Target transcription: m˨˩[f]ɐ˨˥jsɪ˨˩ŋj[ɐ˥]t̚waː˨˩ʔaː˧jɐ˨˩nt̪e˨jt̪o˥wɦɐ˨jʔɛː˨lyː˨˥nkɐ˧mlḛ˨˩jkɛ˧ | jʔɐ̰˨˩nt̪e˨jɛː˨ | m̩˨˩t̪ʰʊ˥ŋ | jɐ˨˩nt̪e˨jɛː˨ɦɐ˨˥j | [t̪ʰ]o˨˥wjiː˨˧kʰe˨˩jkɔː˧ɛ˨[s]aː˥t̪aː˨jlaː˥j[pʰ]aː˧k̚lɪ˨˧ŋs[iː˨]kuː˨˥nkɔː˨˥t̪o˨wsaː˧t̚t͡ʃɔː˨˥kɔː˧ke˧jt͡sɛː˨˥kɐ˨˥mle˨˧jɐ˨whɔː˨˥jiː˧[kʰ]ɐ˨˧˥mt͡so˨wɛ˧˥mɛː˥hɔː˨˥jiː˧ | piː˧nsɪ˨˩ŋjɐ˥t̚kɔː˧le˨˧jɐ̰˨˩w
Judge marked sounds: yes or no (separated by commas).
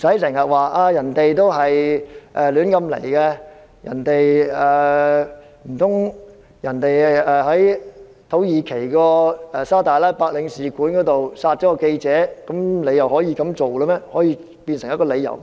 no, no, yes, yes, no, yes, no